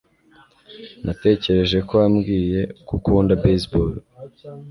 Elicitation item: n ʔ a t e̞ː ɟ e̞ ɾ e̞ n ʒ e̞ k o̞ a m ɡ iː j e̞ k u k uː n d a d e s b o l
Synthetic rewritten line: n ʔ a t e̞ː c e̞ ɾ e̞ ʒ e̞ k o̞ a m ɡ iː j e̞ k u k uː n d a b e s b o l